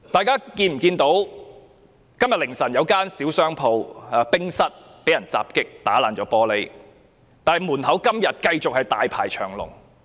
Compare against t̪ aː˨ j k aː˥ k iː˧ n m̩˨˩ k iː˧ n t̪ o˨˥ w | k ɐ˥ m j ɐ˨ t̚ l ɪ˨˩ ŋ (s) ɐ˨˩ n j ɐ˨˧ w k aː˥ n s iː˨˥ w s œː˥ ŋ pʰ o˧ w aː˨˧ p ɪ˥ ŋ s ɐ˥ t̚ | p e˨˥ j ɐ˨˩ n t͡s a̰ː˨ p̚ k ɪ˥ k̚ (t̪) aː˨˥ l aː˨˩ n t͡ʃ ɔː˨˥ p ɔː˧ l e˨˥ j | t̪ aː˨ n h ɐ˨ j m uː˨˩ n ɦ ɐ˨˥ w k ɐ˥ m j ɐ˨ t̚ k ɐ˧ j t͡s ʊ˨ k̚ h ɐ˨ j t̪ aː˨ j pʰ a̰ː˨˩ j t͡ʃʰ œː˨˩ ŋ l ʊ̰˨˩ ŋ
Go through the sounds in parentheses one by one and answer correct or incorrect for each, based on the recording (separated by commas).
correct, correct